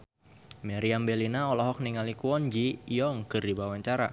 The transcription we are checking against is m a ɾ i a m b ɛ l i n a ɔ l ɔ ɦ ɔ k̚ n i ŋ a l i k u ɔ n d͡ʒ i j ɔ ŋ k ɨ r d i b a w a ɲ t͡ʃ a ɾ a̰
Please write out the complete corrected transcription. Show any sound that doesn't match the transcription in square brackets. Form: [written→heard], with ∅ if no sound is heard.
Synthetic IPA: m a ɾ i a m b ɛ l i n a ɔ l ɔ ɦ ɔ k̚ n i ŋ a l i k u ɔ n d͡ʒ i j ɔ ŋ k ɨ r d i b a w a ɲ t͡ʃ a ɾ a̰